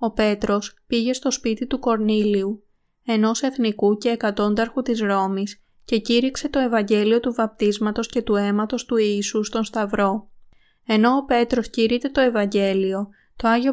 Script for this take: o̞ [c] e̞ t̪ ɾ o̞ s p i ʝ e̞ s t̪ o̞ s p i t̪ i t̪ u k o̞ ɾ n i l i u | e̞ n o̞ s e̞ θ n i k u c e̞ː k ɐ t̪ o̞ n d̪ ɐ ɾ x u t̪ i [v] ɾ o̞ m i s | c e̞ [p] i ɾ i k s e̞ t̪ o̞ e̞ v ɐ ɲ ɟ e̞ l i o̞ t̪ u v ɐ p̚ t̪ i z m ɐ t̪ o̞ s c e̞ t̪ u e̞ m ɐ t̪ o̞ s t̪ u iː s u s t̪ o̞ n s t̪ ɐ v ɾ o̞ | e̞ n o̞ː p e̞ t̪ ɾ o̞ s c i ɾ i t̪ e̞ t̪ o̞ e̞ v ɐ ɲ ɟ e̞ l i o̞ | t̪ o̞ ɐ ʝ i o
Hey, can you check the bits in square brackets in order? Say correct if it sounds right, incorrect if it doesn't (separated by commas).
incorrect, incorrect, incorrect